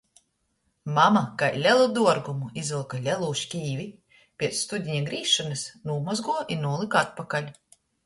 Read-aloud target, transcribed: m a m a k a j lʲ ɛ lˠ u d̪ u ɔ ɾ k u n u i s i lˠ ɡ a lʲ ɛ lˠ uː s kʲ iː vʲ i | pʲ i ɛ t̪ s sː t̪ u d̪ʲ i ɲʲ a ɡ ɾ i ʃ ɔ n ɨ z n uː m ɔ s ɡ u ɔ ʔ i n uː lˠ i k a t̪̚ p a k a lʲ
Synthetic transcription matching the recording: m a m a k a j lʲ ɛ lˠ u d̪ u ɔ ɾ ɡ u m u i z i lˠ k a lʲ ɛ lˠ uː ʃ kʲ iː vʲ i | pʲ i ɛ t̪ s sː t̪ u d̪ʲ i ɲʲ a ɡ ɾ iː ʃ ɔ n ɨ s n uː m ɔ z ɡ u ɔ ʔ i n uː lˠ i k a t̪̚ p a k a lʲ